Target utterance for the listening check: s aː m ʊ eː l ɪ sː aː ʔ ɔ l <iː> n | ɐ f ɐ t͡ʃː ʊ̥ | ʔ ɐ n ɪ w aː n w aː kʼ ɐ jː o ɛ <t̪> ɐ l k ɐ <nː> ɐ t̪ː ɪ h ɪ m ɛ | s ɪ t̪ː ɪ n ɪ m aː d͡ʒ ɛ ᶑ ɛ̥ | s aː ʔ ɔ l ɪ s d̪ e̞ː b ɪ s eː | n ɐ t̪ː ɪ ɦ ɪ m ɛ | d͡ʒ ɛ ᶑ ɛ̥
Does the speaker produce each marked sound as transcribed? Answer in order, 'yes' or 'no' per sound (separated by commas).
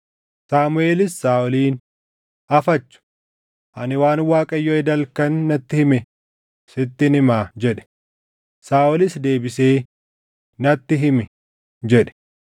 yes, no, yes